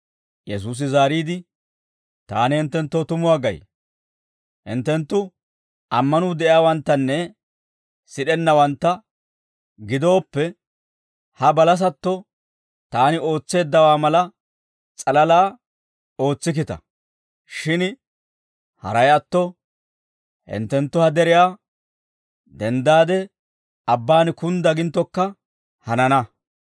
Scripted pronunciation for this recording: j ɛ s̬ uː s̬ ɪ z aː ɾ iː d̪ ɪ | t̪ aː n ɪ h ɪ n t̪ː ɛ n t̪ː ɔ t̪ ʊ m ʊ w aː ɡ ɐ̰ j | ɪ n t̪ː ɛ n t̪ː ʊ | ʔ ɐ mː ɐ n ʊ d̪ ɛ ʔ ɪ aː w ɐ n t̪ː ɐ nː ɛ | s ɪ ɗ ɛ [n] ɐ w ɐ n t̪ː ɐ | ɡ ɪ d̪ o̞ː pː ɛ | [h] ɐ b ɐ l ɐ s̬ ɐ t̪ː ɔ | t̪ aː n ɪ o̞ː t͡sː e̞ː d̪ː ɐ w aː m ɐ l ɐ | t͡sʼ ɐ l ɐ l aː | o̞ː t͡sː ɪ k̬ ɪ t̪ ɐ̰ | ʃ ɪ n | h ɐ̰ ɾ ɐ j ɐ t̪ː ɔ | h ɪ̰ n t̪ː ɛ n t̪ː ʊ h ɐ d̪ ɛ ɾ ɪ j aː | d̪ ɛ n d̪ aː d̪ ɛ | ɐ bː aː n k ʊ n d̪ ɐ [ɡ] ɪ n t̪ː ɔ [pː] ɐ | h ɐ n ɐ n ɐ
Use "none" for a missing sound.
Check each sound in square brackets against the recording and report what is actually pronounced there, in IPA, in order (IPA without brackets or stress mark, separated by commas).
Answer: nː, h, ɡ, kː